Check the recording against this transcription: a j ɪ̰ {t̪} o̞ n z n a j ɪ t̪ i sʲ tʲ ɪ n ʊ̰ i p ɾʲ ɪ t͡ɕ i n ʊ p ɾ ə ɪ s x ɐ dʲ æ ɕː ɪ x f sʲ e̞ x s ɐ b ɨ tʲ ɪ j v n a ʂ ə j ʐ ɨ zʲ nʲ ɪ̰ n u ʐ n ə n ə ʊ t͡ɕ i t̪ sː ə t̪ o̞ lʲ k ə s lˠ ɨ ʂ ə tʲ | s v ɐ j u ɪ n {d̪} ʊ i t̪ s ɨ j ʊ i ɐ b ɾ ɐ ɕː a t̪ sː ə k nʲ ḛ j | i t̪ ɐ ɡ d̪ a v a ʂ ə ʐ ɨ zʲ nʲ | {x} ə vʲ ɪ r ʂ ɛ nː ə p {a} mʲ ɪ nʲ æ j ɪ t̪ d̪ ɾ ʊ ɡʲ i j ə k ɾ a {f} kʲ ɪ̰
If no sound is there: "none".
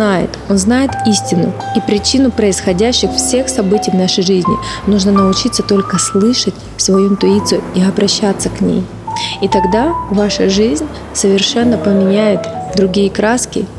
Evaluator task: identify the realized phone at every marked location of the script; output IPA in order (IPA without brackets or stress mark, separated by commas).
t̪, t̪, s, ə, s